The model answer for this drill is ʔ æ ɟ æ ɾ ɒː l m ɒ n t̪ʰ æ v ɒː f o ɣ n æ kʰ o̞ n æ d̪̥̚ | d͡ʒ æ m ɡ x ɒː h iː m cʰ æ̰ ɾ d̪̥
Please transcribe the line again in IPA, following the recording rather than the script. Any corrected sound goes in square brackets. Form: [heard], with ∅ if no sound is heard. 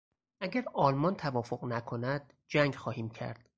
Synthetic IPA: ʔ æ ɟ æ ɾ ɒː l m ɒ n t̪ʰ æ v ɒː f o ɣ n æ kʰ o̞ n æ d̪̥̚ | d͡ʒ æ [ŋ] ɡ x ɒː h iː m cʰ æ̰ ɾ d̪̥